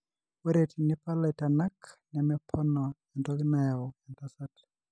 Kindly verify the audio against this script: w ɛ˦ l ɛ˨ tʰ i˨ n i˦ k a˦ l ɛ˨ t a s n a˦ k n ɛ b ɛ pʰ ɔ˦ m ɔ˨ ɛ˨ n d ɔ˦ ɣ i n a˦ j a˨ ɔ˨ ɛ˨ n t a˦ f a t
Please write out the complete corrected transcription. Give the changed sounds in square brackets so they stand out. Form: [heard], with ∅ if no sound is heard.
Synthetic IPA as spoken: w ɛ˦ [ɾ] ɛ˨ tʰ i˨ n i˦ [p] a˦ l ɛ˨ t a [∅] n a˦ k n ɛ [m] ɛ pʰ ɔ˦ [n] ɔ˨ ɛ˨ n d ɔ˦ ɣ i n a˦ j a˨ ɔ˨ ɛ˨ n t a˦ [s] a t